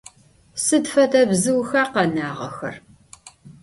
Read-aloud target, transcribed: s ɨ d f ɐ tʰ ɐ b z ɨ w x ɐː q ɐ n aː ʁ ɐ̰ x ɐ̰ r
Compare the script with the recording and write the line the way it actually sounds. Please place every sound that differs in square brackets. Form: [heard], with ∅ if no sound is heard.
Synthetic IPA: s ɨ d f ɐ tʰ ɐ b z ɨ w x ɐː q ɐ n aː ʁ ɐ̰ x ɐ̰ r